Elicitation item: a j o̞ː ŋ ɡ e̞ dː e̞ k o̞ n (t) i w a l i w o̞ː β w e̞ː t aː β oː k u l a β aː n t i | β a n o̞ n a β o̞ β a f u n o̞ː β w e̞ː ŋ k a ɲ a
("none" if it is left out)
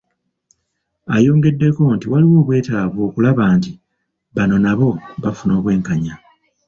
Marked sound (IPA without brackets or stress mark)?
t